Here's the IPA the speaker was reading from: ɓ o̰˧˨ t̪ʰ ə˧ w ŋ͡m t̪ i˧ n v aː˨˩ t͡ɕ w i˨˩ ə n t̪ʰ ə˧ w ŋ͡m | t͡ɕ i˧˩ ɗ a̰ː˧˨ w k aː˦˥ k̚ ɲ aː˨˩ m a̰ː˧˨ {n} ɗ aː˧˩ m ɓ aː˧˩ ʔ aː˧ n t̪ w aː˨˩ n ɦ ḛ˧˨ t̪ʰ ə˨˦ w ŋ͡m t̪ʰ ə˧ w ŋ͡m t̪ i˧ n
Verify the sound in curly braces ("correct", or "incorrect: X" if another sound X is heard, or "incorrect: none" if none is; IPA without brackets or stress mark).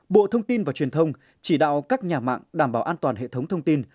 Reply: incorrect: ŋ